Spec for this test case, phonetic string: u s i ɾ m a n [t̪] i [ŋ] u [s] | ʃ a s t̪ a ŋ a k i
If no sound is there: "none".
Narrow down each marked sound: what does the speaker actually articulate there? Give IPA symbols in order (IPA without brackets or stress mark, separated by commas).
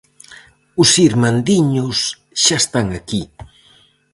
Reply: d̪, ɲ, s